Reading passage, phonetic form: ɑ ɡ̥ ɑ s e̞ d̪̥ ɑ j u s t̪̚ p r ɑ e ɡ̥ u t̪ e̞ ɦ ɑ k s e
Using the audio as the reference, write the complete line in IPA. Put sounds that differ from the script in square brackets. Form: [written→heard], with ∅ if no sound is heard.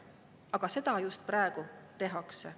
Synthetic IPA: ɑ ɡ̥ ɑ s e̞ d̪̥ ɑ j u s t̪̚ p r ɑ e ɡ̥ u t̪ e̞ ɦ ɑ k s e